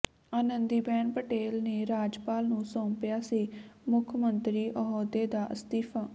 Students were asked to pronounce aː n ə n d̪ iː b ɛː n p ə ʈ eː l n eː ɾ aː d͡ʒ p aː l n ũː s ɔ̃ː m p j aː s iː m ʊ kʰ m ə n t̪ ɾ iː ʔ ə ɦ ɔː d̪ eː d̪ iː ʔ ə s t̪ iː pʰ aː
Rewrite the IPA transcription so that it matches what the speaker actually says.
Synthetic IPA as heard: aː n ə n d̪ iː b ɛː n p ə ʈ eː l n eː ɾ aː d͡ʒ p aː l n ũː s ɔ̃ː m p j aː s iː m ʊ kʰ m ə n t̪ ɾ iː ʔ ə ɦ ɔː d̪ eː d̪ aː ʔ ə s t̪ iː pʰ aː